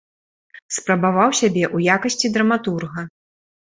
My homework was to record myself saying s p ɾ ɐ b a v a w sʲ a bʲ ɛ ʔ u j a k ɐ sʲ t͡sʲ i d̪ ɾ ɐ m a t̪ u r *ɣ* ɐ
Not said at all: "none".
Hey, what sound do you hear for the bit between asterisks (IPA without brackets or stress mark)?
ɣ